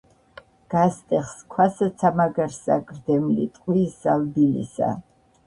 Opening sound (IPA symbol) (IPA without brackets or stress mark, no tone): ɡ̥